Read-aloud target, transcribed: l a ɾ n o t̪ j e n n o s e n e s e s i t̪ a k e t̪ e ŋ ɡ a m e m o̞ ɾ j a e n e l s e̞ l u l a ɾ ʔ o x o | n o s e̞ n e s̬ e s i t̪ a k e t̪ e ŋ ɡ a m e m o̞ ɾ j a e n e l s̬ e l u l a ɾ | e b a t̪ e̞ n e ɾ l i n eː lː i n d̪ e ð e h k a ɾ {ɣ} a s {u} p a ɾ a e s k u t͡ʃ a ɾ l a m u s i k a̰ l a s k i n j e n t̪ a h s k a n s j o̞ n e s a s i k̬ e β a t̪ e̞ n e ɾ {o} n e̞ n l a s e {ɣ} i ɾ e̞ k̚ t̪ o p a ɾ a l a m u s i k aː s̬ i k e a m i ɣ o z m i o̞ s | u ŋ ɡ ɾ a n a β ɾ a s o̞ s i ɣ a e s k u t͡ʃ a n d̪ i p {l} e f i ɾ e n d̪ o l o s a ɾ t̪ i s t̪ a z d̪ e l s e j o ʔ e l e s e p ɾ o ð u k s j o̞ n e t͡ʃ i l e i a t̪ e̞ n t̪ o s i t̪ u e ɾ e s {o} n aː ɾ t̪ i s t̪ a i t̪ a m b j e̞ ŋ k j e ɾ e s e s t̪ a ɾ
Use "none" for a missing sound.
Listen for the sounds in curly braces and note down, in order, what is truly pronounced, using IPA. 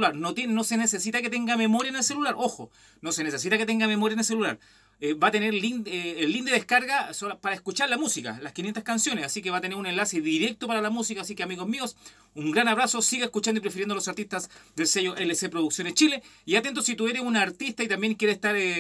ɣ, o, u, ð, ɾ, u

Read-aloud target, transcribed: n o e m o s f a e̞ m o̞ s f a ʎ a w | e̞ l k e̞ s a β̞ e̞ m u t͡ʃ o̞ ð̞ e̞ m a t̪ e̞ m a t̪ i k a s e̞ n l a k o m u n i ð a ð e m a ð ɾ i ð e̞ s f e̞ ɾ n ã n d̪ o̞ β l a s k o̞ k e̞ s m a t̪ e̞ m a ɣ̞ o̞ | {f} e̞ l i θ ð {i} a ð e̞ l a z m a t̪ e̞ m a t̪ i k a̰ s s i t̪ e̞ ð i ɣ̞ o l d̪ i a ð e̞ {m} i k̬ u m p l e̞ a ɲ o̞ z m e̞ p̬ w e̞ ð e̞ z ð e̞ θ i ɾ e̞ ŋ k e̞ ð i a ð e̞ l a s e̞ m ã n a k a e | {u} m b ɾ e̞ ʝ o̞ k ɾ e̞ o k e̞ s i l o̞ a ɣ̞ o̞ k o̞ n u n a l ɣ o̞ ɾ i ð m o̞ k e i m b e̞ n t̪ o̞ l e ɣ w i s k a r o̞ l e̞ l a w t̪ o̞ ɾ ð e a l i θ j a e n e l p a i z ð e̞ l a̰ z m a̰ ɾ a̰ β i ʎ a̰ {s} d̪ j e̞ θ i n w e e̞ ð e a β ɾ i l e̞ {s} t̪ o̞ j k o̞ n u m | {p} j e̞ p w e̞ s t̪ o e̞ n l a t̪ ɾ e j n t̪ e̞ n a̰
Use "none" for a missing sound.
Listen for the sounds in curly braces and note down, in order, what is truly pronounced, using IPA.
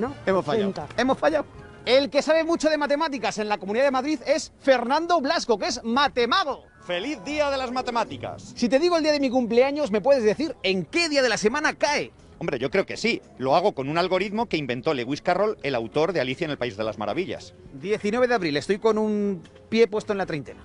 f, i, m, o, s, s, p

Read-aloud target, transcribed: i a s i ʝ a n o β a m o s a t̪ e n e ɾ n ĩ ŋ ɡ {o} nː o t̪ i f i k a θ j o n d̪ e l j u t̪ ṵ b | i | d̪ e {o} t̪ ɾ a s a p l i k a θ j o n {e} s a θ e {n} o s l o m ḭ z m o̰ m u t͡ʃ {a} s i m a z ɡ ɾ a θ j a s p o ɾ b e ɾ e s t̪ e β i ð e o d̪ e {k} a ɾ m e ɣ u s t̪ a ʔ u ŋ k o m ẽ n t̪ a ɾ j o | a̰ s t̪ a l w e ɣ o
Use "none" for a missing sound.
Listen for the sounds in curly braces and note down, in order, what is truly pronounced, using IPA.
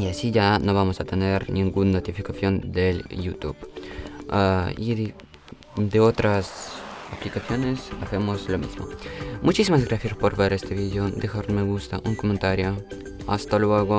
u, o, e, m, i, x

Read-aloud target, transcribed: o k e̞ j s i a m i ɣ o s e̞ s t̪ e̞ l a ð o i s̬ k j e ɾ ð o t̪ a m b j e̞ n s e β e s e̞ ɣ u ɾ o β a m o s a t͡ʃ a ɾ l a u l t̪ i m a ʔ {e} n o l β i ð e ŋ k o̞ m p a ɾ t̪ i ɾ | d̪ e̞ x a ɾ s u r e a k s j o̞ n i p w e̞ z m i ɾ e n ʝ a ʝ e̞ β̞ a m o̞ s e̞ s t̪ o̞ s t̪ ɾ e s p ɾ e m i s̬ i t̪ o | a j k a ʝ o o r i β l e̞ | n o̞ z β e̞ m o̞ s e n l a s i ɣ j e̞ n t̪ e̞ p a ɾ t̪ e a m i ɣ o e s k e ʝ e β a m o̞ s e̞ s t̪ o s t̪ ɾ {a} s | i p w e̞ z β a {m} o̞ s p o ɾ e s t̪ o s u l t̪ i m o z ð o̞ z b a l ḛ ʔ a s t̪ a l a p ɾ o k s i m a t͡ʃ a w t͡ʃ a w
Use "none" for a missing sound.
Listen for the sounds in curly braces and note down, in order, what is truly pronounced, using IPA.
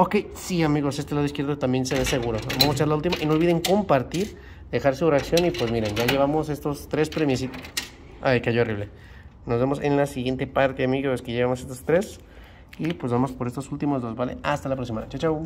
i, e, m

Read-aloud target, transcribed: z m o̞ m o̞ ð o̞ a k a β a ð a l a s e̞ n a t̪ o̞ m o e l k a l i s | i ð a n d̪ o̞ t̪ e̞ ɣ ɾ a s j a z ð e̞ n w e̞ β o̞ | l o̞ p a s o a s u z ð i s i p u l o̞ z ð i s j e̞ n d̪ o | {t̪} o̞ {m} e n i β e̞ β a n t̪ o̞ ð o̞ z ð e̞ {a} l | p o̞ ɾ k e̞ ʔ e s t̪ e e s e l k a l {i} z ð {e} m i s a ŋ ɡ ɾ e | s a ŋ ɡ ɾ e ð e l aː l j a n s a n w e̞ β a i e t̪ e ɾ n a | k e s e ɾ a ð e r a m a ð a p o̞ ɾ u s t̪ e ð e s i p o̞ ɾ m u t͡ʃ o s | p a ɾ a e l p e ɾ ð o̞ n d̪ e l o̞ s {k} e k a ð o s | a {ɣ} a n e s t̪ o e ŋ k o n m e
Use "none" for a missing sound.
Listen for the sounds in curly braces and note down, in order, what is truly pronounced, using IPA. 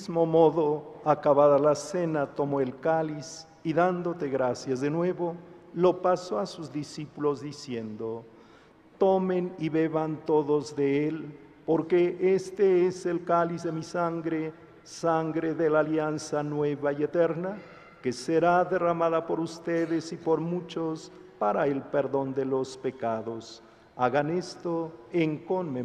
t̪, m, e, i, e, p, ɣ

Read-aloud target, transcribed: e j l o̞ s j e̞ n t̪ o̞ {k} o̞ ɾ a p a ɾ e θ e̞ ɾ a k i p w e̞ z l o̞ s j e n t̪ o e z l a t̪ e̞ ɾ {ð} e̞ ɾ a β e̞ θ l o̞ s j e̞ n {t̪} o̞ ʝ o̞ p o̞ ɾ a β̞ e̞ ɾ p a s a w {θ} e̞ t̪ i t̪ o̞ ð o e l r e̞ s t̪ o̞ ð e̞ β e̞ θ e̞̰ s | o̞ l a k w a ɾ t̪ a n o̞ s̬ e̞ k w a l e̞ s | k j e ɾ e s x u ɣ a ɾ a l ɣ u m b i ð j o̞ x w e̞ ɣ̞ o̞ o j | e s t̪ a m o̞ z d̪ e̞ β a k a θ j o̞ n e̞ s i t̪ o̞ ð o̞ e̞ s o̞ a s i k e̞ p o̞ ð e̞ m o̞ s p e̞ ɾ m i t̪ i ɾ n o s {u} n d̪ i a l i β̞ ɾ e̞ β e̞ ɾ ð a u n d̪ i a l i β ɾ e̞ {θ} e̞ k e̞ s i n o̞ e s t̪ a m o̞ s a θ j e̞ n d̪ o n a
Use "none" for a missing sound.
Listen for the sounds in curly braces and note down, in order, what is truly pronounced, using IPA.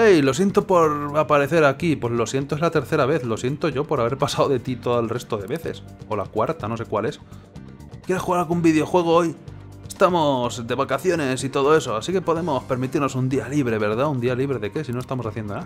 p, θ, t̪, ð, u, ð

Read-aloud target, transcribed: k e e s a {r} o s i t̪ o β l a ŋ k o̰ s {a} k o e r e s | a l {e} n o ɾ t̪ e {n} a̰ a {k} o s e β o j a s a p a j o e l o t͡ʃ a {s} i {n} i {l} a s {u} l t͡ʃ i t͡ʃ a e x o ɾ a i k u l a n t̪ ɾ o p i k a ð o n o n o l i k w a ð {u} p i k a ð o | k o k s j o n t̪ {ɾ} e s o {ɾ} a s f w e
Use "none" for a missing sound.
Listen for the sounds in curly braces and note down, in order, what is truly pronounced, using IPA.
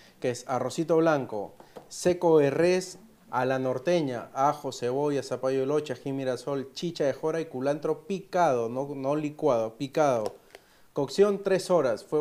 r, e, a, ɲ, x, x, m, ɾ, o, o, ɾ, ɾ

